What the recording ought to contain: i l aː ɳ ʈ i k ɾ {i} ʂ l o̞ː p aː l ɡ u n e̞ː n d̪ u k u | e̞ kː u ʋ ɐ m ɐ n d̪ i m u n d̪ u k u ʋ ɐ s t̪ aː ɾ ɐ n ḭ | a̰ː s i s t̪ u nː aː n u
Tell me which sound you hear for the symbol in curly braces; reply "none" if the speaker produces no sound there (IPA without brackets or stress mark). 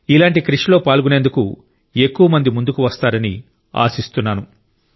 i